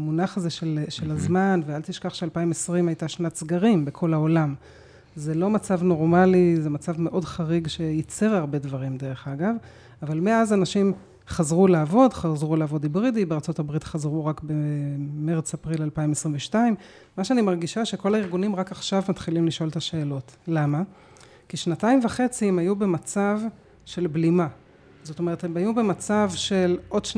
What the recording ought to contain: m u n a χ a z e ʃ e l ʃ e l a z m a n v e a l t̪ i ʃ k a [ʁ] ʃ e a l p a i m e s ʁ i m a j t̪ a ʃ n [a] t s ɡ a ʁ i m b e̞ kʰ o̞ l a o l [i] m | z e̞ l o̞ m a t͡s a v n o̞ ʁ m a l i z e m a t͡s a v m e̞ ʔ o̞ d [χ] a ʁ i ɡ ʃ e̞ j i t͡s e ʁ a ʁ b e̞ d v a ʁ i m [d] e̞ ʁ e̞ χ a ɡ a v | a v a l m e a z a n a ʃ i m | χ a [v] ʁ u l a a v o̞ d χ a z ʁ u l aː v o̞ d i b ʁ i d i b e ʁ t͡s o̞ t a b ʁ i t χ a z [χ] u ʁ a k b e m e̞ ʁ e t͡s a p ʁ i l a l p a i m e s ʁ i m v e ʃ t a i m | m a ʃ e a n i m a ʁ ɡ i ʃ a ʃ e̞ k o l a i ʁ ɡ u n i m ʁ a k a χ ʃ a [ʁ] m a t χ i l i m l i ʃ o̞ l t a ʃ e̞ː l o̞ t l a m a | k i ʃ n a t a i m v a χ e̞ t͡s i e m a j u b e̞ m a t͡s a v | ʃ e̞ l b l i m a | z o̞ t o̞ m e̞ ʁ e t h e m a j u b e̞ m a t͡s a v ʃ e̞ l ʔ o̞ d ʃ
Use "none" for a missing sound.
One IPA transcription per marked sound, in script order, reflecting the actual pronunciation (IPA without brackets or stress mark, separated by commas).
χ, a, a, χ, d, z, ʁ, v